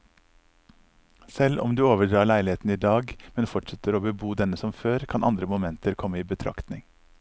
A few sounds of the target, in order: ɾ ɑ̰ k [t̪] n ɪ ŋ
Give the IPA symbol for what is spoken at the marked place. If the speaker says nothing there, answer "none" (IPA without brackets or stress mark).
t̪